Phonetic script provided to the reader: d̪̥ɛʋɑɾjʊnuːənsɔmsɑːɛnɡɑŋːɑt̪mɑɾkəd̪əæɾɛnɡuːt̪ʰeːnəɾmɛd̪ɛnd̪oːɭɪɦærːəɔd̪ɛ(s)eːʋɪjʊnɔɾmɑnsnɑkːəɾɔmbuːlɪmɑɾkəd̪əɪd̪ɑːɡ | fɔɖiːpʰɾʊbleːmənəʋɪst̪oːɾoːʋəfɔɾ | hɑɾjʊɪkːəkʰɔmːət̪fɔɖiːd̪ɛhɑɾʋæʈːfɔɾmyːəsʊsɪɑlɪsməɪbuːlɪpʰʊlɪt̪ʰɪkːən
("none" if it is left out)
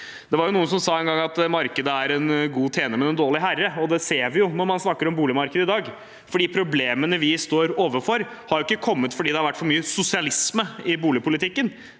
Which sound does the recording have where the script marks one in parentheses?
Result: s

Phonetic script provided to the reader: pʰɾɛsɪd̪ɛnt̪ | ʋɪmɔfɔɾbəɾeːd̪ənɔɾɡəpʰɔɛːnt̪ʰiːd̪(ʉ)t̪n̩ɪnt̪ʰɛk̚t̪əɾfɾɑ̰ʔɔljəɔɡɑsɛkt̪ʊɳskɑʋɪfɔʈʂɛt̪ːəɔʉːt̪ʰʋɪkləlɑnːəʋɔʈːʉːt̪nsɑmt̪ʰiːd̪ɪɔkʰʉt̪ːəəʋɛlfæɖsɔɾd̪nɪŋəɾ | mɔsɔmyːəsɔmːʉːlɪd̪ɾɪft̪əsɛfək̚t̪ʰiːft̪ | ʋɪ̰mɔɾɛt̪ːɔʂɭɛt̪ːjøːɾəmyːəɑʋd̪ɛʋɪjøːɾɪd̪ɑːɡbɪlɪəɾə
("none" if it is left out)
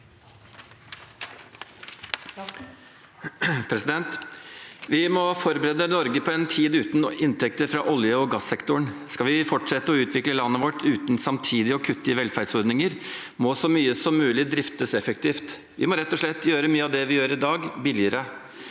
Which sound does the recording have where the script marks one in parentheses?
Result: ʉː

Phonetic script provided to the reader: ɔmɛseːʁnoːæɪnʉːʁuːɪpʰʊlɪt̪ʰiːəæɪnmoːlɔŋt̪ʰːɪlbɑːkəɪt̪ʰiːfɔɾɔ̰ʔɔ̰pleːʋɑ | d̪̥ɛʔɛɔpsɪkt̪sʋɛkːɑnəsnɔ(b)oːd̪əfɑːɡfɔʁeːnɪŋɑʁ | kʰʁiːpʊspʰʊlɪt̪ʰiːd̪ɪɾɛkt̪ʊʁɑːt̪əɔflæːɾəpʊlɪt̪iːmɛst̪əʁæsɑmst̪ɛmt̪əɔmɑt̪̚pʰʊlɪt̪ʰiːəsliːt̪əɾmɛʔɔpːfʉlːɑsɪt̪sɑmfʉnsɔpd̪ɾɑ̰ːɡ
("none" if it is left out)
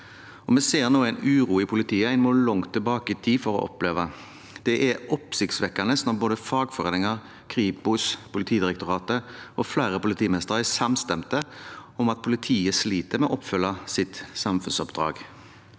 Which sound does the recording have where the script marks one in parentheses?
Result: b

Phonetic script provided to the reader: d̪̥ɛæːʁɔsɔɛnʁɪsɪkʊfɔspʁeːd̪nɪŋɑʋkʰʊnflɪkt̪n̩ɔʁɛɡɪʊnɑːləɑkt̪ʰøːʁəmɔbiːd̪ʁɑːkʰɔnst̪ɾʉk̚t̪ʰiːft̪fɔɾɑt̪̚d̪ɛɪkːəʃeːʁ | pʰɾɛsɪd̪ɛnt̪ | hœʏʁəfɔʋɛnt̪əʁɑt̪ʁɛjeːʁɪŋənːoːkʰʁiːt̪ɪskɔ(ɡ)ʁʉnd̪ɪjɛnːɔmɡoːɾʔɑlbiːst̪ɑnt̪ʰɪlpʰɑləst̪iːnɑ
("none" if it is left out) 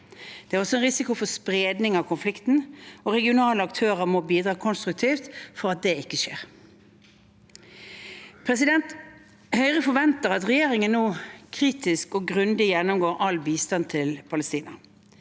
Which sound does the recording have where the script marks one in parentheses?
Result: ɡ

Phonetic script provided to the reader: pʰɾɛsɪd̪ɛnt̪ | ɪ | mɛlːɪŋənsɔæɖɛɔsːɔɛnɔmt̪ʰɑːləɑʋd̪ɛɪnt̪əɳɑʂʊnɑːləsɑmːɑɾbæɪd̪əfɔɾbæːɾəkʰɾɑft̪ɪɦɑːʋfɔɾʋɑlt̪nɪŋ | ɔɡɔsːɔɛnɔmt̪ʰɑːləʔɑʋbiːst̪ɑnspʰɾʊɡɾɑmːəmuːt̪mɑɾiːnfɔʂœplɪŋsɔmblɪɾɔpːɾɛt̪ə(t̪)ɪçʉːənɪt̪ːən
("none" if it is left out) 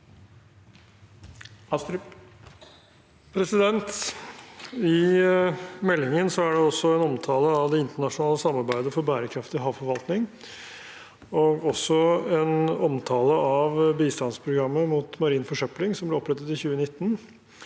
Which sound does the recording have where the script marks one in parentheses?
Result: t̪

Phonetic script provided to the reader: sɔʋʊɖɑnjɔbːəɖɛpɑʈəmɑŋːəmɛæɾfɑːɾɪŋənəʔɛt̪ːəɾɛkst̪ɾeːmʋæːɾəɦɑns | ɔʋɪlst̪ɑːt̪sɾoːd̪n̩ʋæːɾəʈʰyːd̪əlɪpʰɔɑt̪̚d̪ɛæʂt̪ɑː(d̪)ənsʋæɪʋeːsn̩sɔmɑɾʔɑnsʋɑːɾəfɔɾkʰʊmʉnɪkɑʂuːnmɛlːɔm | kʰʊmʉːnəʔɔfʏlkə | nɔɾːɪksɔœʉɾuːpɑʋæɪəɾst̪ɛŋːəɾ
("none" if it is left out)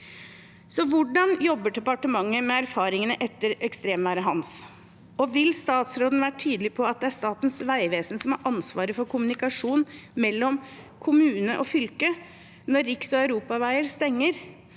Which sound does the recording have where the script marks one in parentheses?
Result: t̪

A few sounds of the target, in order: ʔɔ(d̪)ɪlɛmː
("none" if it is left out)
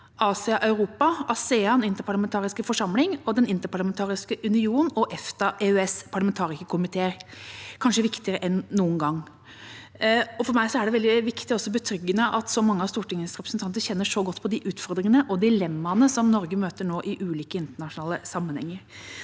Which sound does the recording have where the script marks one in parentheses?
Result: d̪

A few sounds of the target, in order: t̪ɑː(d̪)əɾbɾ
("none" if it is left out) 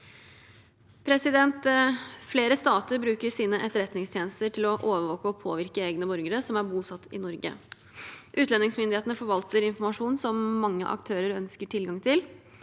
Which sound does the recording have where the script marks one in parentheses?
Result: t̪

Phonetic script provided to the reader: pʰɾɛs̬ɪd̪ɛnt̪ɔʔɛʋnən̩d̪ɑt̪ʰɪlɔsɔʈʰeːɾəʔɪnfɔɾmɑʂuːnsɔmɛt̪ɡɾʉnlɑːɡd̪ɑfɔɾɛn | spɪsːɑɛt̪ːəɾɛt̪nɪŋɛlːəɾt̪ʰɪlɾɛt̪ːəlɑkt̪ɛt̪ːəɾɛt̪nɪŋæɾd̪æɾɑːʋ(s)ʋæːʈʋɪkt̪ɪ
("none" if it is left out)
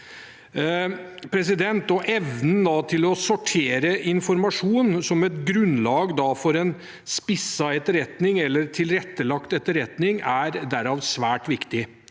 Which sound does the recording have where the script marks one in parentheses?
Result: s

